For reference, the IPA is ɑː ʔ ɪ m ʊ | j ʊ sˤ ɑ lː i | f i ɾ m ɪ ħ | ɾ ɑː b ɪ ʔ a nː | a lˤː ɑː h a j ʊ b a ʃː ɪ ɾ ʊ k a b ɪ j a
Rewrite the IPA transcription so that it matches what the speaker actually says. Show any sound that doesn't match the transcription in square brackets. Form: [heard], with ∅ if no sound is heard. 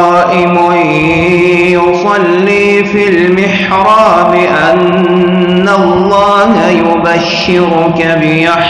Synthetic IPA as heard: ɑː ʔ ɪ m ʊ | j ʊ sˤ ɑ lː [iː] | f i [l] m ɪ ħ | ɾ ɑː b ɪ ʔ a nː | a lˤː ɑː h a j ʊ b a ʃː ɪ ɾ ʊ k a b ɪ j a